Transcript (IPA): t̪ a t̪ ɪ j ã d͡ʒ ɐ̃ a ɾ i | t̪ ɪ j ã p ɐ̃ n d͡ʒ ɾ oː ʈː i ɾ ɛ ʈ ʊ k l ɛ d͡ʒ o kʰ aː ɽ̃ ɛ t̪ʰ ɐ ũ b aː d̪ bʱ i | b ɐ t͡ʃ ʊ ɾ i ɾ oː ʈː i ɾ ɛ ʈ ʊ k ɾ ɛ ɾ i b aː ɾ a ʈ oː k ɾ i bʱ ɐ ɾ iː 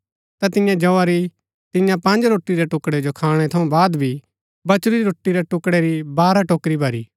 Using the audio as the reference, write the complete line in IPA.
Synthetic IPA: t̪ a t̪ ɪ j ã d͡ʒ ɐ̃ a ɾ i | t̪ ɪ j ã p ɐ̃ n d͡ʒ ɾ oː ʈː i ɾ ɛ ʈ ʊ k ɽ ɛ d͡ʒ o kʰ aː ɽ̃ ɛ t̪ʰ ɐ ũ b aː d̪ bʱ i | b ɐ t͡ʃ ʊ ɾ i ɾ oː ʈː i ɾ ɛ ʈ ʊ k ɽ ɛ ɾ i b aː ɾ a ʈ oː k ɾ i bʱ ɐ ɾ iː